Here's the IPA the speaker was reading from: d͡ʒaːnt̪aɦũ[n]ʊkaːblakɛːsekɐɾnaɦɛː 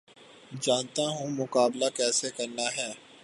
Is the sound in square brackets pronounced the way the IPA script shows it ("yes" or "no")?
no